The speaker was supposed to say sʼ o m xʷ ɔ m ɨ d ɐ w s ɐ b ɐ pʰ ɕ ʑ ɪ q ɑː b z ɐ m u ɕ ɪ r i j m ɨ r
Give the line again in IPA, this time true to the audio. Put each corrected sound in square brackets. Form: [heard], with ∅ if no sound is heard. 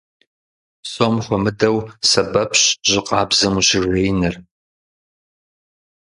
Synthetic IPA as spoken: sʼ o m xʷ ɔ m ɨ d ɐ w s ɐ b ɐ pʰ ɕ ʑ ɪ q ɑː b z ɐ m u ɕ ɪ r [e] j [n] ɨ r